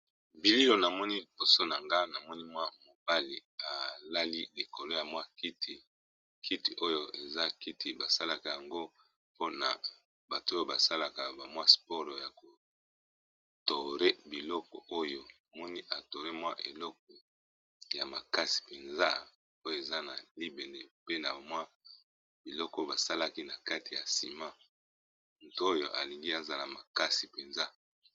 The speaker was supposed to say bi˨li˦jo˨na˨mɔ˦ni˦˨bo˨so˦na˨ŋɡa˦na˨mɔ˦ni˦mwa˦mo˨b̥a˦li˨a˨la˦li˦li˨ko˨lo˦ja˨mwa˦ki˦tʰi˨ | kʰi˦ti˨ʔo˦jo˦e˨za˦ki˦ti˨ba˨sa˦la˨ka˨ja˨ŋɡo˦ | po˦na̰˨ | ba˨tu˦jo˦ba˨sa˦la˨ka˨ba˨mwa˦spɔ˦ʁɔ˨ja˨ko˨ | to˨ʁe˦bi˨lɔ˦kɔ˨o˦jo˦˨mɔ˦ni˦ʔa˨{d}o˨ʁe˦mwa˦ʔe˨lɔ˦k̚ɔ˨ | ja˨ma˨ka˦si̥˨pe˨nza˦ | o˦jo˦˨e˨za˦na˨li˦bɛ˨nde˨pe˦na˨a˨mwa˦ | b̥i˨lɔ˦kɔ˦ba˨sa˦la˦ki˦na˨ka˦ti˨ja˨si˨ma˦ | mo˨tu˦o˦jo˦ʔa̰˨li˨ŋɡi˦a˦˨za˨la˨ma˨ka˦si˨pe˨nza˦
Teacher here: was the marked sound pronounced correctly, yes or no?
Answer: no